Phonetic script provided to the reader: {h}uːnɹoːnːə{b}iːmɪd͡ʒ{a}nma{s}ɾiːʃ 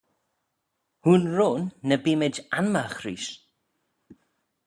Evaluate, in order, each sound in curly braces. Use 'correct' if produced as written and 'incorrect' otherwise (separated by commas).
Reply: correct, correct, correct, incorrect